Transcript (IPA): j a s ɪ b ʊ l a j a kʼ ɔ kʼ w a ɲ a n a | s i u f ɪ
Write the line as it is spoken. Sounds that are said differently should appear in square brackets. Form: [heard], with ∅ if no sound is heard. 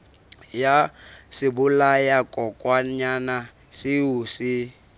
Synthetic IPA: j a s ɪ b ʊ l a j a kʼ ɔ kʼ w a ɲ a n a | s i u [s] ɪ